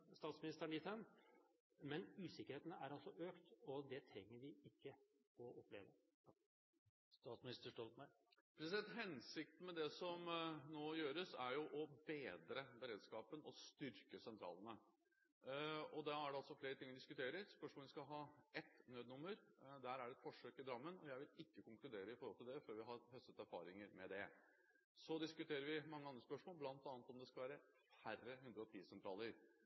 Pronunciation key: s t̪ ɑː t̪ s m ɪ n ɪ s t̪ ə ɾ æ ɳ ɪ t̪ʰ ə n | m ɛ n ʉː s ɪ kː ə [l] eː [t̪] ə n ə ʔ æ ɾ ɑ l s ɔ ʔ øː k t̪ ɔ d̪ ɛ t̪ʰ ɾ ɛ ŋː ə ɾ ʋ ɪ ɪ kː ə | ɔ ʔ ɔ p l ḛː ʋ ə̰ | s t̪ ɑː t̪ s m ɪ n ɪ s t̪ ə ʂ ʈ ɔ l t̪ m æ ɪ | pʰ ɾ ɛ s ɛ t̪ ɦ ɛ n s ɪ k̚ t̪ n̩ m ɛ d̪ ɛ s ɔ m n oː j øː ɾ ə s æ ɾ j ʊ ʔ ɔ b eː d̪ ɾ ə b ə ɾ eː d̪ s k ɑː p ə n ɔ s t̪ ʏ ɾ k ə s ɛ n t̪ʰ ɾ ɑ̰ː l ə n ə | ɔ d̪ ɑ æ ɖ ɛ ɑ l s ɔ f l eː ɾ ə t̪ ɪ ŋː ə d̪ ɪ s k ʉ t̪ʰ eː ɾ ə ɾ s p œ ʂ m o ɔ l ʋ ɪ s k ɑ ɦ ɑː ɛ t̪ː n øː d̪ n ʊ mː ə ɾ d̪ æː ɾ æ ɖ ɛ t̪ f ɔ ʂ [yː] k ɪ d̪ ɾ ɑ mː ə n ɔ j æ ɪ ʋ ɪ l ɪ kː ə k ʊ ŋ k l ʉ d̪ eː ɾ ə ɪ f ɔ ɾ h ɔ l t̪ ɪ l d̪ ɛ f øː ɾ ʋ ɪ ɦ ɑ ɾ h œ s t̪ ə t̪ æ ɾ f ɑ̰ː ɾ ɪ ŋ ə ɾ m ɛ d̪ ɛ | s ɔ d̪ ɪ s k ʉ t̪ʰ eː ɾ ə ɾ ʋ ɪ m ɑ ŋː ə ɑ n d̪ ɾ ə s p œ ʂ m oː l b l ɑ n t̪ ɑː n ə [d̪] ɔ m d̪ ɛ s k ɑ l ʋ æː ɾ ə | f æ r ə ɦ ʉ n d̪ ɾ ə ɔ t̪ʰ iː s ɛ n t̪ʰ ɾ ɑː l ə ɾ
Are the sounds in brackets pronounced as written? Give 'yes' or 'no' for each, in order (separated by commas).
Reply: no, yes, no, no